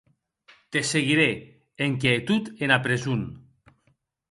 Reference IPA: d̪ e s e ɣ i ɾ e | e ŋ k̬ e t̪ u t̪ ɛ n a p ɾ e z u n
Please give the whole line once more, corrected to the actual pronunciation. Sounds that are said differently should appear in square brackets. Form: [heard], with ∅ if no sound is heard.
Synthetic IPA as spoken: [t̪] e s e ɣ i ɾ e | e ŋ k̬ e t̪ u t̪ [e] n a p ɾ e z u n